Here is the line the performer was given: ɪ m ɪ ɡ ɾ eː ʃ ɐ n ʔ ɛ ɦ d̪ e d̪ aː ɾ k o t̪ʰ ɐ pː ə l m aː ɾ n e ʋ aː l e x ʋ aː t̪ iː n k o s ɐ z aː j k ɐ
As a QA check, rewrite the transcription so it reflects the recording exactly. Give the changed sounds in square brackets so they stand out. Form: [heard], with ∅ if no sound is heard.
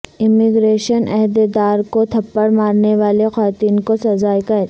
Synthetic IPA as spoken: ɪ m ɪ ɡ ɾ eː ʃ [ə] n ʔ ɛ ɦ d̪ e d̪ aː ɾ k o t̪ʰ ɐ pː ə [ɽ] m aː ɾ n e ʋ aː l e x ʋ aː t̪ iː n k o s ɐ z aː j k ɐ